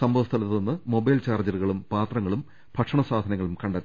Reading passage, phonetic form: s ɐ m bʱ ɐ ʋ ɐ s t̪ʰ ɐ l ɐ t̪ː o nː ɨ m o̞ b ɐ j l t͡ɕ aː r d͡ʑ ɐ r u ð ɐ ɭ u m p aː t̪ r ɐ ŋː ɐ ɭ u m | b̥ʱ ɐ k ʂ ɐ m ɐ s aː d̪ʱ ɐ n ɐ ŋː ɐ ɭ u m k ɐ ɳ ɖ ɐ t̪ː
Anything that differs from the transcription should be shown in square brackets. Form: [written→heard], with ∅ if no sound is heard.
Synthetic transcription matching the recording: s ɐ m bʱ ɐ ʋ ɐ s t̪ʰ ɐ l ɐ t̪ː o nː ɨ m o̞ b ɐ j l t͡ɕ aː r d͡ʑ ɐ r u [ð→ɣ] ɐ ɭ u m p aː t̪ r ɐ ŋː ɐ ɭ u m | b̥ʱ ɐ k ʂ ɐ [m→ɳ] ɐ s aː d̪ʱ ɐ n ɐ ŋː ɐ ɭ u m k ɐ ɳ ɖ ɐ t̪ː